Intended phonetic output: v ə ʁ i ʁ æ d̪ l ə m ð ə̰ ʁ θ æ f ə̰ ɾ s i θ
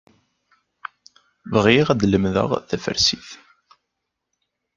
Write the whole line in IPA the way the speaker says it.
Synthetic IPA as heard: v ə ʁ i ʁ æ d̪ l ə m ð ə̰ ʁ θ æ f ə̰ ɾ s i θ